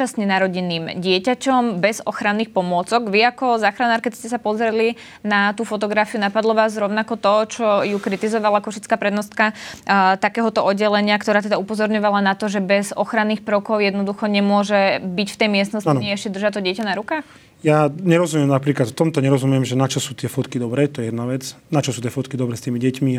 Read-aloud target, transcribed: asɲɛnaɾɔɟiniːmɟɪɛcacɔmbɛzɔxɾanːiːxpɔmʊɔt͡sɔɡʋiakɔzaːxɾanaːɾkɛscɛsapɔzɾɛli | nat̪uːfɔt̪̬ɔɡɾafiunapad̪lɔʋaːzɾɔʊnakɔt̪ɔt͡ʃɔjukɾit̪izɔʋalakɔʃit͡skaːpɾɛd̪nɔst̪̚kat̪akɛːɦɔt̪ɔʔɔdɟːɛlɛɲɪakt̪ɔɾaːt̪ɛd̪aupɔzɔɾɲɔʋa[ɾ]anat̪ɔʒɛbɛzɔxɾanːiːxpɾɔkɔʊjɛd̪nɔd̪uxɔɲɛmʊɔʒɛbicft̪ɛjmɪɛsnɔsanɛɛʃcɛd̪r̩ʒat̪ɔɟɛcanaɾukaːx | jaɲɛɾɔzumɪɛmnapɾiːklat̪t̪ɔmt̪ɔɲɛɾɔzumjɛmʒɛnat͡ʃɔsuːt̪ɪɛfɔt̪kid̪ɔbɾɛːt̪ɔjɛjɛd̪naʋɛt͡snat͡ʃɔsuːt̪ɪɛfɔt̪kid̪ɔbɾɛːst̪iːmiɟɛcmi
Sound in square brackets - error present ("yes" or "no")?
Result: yes